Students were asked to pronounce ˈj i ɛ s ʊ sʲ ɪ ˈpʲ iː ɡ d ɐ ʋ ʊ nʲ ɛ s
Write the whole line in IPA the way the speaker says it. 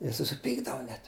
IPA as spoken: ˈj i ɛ s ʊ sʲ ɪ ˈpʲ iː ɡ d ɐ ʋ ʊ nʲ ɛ t